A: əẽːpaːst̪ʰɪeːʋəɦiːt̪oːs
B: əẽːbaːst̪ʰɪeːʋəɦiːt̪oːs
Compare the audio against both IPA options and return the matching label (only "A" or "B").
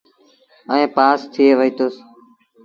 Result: A